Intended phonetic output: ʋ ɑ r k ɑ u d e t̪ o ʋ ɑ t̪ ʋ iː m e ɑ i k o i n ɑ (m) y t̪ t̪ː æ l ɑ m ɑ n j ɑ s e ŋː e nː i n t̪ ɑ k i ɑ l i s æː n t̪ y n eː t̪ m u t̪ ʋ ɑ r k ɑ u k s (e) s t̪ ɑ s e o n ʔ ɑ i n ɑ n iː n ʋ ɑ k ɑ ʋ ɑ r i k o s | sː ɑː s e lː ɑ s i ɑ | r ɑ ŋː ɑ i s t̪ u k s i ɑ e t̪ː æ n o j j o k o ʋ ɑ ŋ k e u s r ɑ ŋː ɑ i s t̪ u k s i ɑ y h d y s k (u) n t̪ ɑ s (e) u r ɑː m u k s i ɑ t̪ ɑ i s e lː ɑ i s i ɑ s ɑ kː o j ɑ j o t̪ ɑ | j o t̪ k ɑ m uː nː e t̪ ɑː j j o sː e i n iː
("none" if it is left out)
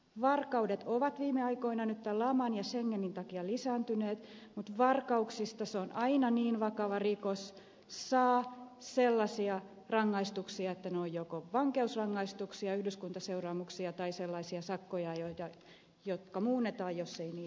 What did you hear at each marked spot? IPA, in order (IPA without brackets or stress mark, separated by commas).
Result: n, i, u, e